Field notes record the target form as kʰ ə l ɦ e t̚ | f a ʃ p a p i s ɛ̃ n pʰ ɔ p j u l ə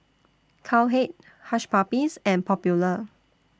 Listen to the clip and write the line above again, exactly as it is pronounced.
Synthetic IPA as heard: kʰ a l ɦ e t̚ | h a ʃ p a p i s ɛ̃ n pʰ ɔ p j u l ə